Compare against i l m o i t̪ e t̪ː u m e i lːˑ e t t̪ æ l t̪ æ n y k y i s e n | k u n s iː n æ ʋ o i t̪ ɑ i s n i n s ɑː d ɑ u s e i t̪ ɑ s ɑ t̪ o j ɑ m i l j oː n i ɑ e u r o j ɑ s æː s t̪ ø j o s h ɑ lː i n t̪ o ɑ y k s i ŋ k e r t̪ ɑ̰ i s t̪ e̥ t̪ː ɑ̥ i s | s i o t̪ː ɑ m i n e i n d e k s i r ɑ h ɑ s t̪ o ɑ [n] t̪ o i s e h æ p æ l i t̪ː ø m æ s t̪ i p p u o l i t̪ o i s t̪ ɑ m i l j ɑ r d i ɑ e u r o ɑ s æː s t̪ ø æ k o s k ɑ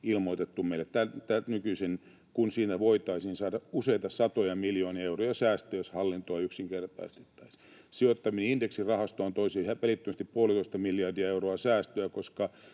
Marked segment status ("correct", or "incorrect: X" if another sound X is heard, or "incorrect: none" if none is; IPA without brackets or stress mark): correct